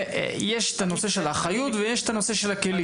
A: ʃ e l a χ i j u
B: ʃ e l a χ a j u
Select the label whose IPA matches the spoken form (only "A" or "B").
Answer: B